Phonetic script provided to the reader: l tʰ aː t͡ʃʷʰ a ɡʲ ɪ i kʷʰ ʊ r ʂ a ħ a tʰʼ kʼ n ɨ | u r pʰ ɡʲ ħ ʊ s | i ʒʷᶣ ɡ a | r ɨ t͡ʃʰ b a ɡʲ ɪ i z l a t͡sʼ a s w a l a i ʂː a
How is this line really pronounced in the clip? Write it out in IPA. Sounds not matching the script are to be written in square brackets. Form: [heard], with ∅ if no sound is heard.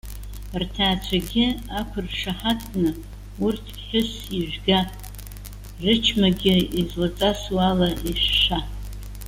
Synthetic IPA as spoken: [r] tʰ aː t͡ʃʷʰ a ɡʲ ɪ [a] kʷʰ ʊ r ʂ a ħ a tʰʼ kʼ n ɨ | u r [tʰ] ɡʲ ħ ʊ s | i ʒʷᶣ ɡ a | r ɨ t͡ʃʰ [m] a ɡʲ ɪ i z l a t͡sʼ a s w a l a i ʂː a